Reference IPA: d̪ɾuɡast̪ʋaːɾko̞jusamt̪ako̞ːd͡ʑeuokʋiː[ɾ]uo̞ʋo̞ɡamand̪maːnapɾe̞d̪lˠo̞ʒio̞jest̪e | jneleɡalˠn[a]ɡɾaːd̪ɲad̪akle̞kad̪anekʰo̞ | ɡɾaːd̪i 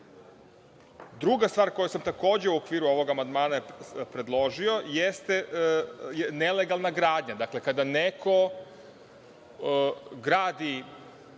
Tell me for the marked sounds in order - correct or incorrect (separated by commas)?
correct, correct